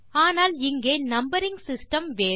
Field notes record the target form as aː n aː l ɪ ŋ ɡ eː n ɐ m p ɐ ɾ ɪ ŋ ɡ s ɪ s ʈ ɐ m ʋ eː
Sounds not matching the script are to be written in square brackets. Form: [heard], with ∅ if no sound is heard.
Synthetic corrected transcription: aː n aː l ɪ ŋ ɡ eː n ɐ m [b] ɐ ɾ ɪ ŋ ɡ s ɪ s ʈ ɐ m ʋ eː